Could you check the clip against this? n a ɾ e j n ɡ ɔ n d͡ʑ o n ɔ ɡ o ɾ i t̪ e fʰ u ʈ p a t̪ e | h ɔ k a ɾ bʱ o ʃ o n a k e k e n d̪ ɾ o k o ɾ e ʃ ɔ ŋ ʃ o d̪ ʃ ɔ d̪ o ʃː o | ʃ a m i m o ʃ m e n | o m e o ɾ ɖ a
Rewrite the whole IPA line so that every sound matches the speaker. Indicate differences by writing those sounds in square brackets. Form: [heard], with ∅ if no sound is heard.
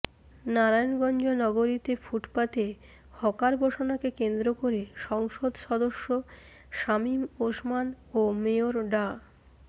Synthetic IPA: n a ɾ [a] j n ɡ ɔ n d͡ʑ o n ɔ ɡ o ɾ i t̪ e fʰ u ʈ p a t̪ e | h ɔ k a ɾ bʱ o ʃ o n a k e k e n d̪ ɾ o k o ɾ e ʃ ɔ ŋ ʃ o d̪ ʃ ɔ d̪ o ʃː o | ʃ a m i m o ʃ m [a] n | o m e o ɾ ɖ a